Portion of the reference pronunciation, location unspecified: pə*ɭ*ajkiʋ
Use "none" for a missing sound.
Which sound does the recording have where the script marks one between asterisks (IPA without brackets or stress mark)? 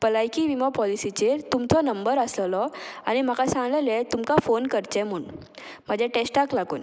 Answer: l